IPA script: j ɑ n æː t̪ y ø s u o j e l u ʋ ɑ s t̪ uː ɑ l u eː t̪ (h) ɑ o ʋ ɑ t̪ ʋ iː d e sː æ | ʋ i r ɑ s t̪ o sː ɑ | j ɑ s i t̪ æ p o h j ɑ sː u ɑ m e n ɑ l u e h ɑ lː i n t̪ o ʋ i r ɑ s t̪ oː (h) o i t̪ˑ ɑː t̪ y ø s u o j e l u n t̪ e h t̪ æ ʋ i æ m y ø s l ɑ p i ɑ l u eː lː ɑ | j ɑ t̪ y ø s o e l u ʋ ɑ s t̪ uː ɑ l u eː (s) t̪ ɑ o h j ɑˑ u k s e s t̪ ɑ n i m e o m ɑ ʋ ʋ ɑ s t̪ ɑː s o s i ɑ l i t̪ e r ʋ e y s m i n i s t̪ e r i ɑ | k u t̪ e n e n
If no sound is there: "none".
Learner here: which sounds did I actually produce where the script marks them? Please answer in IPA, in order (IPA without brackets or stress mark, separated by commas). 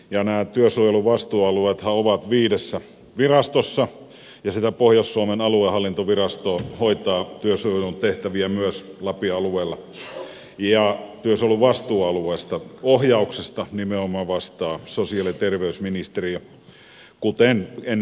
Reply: h, h, s